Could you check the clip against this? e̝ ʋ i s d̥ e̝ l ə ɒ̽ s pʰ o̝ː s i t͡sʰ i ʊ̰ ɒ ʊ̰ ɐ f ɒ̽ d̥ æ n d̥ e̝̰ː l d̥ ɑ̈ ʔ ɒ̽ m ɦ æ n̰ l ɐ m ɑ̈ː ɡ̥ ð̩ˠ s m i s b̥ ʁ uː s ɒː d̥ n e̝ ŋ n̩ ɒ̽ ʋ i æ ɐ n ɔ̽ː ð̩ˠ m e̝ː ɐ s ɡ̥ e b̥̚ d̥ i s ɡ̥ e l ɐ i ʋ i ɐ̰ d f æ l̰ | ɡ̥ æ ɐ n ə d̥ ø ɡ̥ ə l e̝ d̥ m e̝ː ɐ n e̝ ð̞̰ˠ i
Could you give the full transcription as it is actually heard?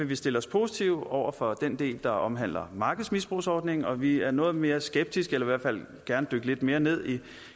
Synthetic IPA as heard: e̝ ʋ i s d̥ e̝ l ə ɒ̽ s pʰ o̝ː s i t͡sʰ i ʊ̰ ɒ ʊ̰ ɐ f ɒ̽ d̥ e n d̥ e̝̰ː l d̥ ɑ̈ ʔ ɒ̽ m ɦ æ n̰ l ɐ m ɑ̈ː ɡ̥ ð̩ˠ s m i s b̥ ʁ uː s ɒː d̥ n e̝ ŋ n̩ ɒ̽ ʋ i æ ɐ n ɔ̽ː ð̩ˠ m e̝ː ɐ s ɡ̥ e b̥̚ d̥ i s ɡ̥ e l ɐ i ʋ æ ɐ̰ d f æ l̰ | ɡ̥ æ ɐ n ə d̥ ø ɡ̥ ə l e̝ d̥ m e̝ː ɐ n e̝ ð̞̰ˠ i